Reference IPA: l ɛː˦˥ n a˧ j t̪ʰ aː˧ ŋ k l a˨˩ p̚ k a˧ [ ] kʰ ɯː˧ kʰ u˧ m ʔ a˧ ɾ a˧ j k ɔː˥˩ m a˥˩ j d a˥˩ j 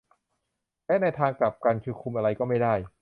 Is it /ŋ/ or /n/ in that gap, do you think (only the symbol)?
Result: n